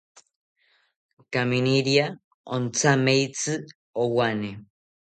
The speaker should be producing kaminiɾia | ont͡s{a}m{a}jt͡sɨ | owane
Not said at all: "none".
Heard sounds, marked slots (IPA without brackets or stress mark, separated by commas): a, e